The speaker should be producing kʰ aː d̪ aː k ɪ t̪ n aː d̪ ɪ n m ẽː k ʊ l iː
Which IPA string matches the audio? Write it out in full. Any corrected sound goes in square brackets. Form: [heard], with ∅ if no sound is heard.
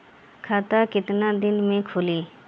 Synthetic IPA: kʰ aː [t̪] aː k ɪ t̪ n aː d̪ ɪ n m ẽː [kʰ] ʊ l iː